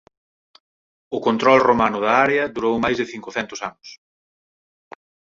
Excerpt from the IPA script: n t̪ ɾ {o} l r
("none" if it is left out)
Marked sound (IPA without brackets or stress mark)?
ɔ